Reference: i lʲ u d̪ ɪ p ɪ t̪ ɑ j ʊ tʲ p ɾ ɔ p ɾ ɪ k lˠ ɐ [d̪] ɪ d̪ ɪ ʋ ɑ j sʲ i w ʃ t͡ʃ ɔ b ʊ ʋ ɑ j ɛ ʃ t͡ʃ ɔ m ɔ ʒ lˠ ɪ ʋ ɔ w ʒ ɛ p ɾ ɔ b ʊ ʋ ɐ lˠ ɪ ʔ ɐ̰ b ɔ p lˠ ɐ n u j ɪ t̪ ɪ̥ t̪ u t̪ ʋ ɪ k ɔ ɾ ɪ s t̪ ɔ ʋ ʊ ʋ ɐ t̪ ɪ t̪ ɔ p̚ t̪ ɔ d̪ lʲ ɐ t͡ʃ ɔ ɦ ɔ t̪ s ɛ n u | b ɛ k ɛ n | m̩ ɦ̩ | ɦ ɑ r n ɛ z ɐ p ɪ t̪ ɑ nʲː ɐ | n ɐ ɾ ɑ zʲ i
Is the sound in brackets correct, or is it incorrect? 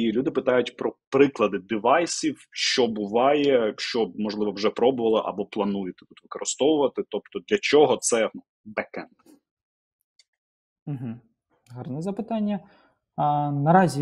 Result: correct